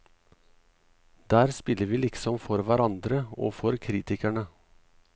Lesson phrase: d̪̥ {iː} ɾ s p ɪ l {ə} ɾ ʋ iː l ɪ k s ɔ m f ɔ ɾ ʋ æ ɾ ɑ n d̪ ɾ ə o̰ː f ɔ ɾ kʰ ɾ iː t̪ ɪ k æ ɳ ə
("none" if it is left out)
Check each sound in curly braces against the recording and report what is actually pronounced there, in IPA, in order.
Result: æː, ə

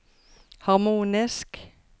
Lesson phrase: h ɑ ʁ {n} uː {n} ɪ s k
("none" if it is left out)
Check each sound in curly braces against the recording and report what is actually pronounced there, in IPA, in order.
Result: m, n

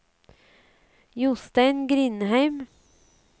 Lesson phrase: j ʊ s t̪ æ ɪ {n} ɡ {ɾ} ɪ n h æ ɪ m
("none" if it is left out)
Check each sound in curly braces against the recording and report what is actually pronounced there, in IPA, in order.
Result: n, ɾ

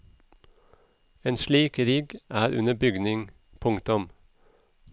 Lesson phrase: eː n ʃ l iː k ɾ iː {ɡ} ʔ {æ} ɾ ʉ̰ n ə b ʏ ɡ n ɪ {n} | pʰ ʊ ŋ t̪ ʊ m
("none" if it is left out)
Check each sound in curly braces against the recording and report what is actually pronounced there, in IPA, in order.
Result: ɡ, æː, ŋ

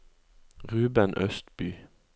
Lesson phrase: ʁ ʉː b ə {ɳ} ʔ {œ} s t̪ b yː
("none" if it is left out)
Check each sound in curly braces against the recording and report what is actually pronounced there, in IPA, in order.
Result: n, œ

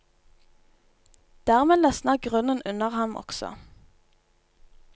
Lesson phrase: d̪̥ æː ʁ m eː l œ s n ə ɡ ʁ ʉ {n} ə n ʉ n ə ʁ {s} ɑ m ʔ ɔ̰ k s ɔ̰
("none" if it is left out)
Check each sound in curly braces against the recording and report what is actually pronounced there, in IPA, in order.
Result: n, h

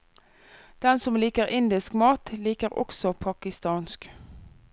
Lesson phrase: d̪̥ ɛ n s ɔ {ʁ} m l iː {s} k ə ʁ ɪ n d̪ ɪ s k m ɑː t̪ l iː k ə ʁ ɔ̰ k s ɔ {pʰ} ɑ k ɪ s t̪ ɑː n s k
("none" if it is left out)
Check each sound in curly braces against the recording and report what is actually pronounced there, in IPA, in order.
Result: none, none, pʰ

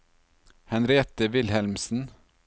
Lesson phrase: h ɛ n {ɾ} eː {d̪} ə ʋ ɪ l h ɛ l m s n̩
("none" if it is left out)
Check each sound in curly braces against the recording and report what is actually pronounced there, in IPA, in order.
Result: ɾ, t̪

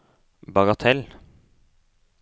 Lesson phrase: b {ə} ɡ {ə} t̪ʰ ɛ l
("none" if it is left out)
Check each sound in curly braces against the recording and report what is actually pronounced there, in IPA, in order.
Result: ɑ, ɑ

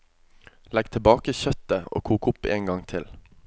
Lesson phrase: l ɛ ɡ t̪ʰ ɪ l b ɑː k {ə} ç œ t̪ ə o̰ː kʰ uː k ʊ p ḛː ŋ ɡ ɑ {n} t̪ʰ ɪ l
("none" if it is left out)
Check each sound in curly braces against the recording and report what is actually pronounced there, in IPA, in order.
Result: ə, ŋ

